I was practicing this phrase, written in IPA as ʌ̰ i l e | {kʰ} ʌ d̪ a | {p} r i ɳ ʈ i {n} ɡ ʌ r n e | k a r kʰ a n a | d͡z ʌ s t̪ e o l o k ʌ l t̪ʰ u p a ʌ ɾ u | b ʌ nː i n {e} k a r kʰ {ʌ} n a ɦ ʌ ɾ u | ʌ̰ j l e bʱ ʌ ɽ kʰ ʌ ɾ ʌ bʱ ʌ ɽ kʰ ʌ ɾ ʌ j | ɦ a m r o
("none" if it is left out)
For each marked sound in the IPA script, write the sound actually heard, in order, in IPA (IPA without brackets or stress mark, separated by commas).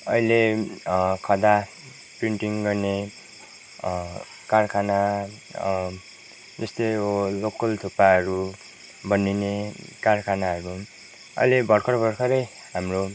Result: kʰ, p, ŋ, e, a